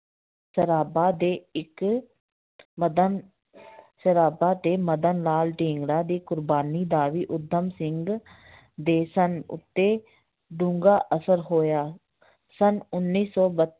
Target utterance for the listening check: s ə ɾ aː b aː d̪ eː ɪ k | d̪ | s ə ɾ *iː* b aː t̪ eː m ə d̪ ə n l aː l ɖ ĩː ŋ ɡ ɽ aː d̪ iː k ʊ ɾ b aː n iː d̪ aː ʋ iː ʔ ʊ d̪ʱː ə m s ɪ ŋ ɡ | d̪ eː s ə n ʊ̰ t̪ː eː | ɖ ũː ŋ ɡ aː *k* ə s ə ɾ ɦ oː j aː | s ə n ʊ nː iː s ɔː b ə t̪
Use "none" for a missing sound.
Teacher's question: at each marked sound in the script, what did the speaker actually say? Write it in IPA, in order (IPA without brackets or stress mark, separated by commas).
aː, ʔ